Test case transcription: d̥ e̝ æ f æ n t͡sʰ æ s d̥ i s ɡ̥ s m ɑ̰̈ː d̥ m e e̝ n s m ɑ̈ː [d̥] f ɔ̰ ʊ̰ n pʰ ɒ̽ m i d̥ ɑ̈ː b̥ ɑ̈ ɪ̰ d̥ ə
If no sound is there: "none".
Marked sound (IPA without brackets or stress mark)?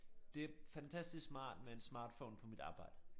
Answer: d̥